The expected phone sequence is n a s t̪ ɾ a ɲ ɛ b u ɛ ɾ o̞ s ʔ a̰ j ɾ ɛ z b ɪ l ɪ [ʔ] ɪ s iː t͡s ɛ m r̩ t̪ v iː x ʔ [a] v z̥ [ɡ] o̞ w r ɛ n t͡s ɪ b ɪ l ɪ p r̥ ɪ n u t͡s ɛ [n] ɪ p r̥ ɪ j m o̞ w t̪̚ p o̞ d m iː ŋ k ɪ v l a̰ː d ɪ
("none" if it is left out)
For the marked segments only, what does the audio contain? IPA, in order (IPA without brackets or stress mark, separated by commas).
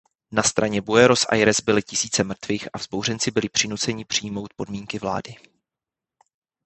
c, a, b, ɲ